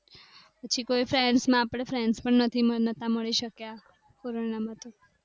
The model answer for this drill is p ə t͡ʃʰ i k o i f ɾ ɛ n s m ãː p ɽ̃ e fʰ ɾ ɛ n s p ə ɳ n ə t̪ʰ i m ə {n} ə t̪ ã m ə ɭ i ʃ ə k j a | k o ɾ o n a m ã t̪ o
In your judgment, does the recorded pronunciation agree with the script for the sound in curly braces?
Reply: yes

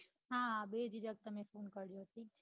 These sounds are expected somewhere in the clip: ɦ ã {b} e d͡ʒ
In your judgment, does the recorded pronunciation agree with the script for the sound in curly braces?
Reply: yes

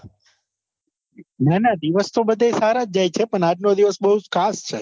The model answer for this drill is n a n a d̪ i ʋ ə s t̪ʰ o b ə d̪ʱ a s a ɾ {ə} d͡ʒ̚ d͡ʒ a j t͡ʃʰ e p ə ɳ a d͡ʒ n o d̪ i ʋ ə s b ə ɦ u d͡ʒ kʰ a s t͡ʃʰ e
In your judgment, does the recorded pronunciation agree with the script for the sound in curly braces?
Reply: no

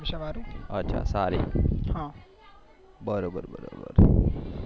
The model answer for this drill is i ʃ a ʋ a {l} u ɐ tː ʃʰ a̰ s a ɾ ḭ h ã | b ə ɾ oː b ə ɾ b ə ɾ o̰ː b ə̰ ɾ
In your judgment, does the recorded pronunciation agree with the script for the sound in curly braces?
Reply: no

